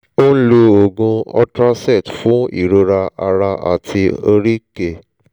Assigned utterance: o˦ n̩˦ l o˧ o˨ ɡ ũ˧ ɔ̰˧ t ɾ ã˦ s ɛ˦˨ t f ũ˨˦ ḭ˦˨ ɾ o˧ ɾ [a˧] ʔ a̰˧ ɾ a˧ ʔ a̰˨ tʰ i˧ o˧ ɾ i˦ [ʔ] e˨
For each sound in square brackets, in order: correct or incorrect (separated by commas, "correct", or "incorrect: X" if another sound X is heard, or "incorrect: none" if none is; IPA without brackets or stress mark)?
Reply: correct, incorrect: k